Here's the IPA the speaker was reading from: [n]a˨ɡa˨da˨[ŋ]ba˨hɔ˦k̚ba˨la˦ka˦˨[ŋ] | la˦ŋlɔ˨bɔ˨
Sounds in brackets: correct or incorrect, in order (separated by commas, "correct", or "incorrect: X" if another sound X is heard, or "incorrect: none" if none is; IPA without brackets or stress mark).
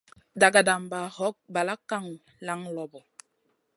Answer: incorrect: d, incorrect: m, correct